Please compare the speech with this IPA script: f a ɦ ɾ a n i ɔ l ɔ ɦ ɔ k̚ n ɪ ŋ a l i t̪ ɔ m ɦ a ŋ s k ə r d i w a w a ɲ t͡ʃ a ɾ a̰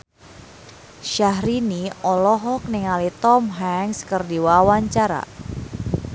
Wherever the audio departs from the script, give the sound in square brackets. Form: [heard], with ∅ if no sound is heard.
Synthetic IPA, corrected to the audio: [ʃ] a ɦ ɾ [i] n i ɔ l ɔ ɦ ɔ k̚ n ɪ ŋ a l i t̪ ɔ m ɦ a ŋ s k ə r d i w a w a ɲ t͡ʃ a ɾ a̰